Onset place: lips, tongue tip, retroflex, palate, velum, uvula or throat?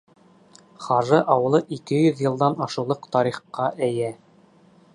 uvula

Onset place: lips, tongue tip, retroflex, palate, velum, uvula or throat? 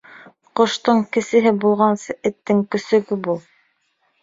uvula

